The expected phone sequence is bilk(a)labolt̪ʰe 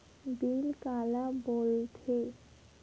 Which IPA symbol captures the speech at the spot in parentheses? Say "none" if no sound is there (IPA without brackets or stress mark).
a